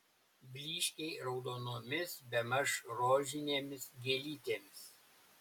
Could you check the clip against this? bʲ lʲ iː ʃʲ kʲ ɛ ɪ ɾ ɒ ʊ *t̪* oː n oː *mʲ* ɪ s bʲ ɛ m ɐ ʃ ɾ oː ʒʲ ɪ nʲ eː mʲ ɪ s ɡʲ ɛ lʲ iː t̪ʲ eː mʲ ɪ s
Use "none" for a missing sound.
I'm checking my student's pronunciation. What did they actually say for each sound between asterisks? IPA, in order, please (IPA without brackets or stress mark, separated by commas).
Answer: d̪, mʲ